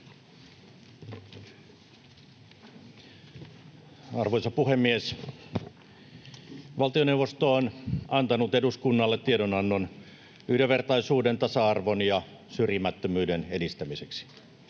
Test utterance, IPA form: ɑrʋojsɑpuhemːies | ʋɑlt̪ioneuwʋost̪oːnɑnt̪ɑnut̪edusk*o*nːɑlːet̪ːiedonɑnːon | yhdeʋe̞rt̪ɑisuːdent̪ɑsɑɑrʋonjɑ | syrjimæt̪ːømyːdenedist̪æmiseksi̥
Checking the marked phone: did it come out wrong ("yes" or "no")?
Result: yes